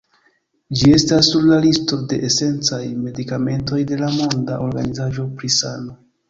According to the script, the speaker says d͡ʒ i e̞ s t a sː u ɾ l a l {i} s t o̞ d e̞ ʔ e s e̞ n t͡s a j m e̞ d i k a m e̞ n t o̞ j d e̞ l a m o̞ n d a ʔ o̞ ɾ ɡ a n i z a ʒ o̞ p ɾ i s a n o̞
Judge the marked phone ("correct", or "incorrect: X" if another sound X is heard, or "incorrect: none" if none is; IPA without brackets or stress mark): correct